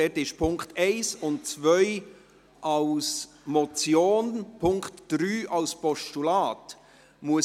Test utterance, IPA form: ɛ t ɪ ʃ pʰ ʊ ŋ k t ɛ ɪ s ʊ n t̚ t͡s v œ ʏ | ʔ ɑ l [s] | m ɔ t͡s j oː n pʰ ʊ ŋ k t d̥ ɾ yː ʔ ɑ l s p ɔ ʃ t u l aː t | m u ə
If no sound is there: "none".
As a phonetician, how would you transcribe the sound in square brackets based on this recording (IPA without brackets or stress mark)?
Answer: s